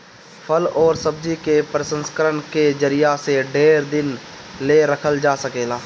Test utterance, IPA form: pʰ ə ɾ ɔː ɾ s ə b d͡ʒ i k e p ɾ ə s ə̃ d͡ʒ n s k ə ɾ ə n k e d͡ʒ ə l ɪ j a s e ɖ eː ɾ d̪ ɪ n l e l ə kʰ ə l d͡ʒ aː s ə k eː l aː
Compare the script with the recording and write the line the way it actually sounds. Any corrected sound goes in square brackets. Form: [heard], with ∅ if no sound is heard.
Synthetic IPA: pʰ ə [l] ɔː ɾ s ə b d͡ʒ i k e p ɾ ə s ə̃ [∅] n s k ə ɾ ə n k e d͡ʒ ə [ɾ] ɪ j a s e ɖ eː ɾ d̪ ɪ n l e [ɾ] ə kʰ ə l d͡ʒ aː s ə k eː l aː